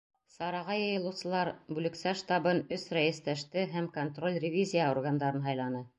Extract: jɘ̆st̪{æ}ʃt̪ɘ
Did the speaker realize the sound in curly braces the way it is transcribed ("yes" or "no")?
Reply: yes